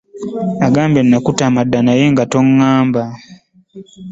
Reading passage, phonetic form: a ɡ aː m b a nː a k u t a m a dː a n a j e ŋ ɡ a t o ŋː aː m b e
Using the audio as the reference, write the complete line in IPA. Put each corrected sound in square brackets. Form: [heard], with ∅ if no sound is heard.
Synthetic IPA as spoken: a ɡ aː m b [e] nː a k u t a m a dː a n a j e ŋ ɡ a t o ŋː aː m b [a]